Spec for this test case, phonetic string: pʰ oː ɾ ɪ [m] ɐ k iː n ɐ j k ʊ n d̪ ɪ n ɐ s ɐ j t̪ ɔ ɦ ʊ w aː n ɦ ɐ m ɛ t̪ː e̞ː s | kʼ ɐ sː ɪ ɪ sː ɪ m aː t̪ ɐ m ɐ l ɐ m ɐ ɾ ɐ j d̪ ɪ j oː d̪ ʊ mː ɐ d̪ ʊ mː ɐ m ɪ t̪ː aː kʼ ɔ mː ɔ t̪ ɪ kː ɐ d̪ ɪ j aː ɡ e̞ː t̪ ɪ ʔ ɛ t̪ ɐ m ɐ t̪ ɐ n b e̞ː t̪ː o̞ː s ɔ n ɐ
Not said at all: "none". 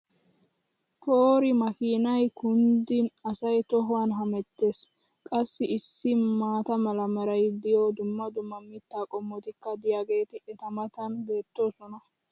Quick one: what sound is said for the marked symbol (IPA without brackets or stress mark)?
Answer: m